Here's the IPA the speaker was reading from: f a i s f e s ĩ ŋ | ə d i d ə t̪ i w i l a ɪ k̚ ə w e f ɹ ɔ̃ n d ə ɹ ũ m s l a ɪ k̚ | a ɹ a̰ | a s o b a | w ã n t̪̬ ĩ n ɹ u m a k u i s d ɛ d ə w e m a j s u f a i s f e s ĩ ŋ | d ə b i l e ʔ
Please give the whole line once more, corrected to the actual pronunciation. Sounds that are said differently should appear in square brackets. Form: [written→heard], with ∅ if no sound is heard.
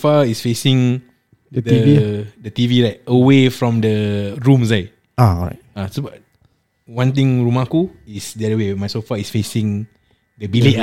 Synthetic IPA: f a i s f e s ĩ ŋ | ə d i d ə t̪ i [w→v] i l a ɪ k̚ ə w e f ɹ ɔ̃ [n→m] d ə ɹ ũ m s l a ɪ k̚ | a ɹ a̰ | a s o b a | w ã n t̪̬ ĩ [n→ŋ] ɹ u m a k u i s d ɛ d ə w e m a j s [u→o] f a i s f e s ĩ ŋ | d ə b i l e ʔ